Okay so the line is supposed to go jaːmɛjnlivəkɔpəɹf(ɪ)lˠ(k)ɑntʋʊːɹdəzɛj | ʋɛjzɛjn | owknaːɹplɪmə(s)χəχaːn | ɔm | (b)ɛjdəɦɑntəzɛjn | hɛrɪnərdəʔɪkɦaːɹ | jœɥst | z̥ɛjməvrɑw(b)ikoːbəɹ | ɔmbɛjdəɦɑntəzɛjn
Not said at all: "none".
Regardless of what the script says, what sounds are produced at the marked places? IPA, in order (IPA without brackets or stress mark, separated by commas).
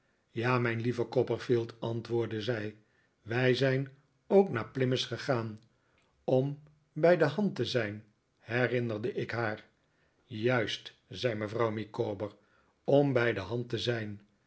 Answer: i, t, s, b, m